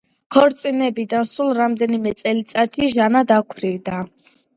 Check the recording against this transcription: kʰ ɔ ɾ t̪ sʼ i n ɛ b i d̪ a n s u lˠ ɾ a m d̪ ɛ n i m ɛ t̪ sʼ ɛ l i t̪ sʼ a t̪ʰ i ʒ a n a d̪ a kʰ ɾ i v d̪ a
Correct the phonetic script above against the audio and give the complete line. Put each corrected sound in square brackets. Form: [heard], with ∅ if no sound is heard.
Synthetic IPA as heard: kʰ ɔ ɾ t̪ sʼ i n ɛ b i d̪ a n s u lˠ ɾ a m d̪ ɛ n i m ɛ t̪ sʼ ɛ l i t̪ sʼ a t̪ʰ i ʒ a n a d̪ a kʰ ɾ i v d̪ a